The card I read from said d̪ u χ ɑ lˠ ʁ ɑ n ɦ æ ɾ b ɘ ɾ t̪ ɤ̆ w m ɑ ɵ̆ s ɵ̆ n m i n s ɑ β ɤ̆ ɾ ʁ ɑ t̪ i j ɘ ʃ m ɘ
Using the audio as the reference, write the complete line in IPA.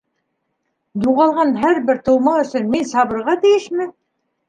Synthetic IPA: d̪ u ʁ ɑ lˠ ʁ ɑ n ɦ æ ɾ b ɘ ɾ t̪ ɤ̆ w m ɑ ɵ̆ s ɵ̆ n m i n s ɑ β ɤ̆ ɾ ʁ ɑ t̪ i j ɘ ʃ m ɘ